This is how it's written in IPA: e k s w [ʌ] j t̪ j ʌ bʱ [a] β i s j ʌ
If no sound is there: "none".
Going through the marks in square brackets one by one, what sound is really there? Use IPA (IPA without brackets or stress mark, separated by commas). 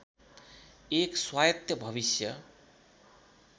a, ʌ